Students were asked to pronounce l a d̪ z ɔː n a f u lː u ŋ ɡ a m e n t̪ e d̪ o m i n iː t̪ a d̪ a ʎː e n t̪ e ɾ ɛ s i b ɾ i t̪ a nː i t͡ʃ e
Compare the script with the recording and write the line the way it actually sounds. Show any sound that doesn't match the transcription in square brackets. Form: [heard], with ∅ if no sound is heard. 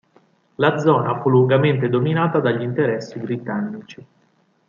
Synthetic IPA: l a d̪ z ɔː n a f u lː u ŋ ɡ a m e n t̪ e d̪ o m i n [aː] t̪ a d̪ a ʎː [i] n t̪ e ɾ ɛ [sː] i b ɾ i t̪ a nː i t͡ʃ [i]